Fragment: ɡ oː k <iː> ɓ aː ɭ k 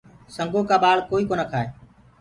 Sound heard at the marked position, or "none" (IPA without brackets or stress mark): aː